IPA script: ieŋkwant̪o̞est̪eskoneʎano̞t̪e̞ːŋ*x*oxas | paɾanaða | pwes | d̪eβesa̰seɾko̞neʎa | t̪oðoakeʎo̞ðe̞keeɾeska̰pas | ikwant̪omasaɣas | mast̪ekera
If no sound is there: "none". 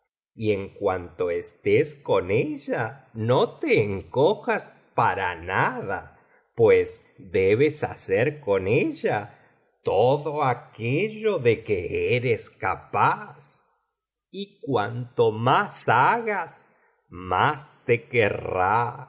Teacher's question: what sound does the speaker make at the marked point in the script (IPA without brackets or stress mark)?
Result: k